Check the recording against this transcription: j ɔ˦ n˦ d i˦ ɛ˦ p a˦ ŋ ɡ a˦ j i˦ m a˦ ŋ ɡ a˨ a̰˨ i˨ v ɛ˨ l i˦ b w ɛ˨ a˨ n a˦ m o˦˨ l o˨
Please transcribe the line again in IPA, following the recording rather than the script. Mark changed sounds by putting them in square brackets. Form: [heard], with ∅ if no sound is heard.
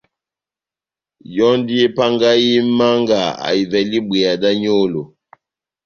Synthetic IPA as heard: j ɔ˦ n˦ d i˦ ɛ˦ p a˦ ŋ ɡ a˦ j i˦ m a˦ ŋ ɡ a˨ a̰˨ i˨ v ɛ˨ l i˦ b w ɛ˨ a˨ [d] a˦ [ɲ] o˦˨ l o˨